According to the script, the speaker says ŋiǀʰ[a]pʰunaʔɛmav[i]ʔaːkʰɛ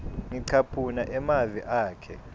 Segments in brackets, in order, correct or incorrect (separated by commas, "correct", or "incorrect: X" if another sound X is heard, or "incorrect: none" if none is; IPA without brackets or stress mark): correct, correct